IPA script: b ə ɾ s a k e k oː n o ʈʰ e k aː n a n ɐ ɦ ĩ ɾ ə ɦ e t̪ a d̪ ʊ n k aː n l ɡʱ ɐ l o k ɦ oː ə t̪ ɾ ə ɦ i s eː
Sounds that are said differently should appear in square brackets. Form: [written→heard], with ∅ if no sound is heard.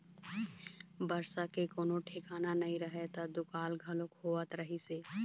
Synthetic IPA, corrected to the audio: b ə ɾ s a k e k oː n o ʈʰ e k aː n a n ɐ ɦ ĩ ɾ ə ɦ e t̪ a d̪ ʊ [n→∅] k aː [n→∅] l ɡʱ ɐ l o k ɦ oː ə t̪ ɾ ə ɦ i s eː